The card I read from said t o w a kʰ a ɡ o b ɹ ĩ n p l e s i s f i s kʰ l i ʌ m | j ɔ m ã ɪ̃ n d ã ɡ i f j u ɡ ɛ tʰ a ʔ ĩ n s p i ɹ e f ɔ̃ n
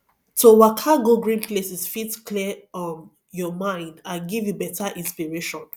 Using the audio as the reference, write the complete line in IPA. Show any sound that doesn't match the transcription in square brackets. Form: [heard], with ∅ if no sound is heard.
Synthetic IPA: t o w a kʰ a ɡ o [ɡ] ɹ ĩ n p l e s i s f i [t] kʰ l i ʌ m | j ɔ m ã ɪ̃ n d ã ɡ i [v] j u [b] ɛ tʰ a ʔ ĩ n s p i ɹ e [ʃ] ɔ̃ n